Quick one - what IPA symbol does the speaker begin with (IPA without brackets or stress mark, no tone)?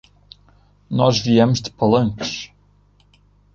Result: n